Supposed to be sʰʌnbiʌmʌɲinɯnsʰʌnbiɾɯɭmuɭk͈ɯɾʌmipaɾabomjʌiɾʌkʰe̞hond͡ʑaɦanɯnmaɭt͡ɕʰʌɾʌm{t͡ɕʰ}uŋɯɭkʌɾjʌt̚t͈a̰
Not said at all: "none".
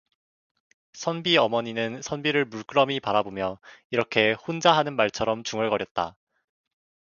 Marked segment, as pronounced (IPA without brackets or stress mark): t͡ɕ